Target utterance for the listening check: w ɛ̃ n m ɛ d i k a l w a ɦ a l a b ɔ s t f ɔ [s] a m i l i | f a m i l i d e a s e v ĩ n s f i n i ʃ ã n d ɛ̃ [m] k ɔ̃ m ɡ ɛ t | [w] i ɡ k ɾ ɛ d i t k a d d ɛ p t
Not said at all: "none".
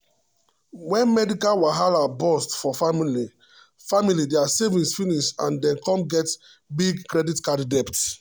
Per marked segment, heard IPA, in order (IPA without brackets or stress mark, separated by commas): f, n, b